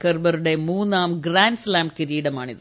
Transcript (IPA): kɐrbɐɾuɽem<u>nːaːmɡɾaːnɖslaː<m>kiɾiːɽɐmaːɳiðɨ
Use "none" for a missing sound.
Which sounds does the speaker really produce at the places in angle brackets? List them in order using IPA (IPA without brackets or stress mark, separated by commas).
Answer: uː, m